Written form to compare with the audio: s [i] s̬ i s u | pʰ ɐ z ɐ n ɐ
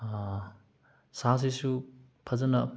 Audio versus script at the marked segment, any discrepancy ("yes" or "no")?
yes